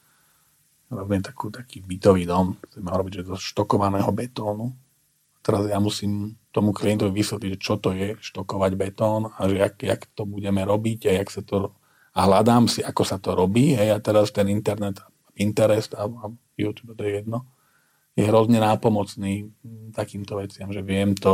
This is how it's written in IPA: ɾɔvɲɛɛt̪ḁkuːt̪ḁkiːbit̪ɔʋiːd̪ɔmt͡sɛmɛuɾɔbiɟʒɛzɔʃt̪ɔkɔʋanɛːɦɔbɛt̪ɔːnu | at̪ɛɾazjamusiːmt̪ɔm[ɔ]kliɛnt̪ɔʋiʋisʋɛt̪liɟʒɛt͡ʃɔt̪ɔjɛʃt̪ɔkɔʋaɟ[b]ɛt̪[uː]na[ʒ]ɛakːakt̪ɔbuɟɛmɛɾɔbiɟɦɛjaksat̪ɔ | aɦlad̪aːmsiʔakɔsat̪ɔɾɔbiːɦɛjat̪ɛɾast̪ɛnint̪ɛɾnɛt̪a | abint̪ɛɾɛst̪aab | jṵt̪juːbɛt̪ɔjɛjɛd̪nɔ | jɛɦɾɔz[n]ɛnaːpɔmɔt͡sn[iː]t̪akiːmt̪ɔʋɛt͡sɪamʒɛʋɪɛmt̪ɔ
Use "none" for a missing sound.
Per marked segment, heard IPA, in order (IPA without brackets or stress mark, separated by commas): u, b, ɔː, ʒ, ɲ, iː